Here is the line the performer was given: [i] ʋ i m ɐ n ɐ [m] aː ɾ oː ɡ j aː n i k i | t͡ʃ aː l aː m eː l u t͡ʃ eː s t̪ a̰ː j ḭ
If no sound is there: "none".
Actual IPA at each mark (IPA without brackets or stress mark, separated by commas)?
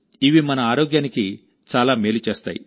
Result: i, none